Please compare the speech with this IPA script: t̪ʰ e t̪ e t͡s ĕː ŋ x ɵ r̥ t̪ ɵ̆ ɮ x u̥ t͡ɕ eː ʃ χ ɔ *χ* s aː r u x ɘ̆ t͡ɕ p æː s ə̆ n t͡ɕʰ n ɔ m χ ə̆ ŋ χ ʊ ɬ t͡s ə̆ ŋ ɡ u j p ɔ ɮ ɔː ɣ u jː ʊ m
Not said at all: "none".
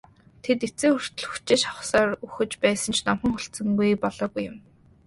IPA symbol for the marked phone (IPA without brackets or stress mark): χ